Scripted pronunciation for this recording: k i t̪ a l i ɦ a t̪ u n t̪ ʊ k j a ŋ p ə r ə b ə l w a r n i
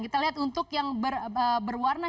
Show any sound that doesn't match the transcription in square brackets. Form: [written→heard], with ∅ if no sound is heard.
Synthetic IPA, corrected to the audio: k i t̪ a l i ɦ a t̪ u n t̪ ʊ k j a ŋ [p→b] ə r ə b ə [l→r] w a r n [i→a]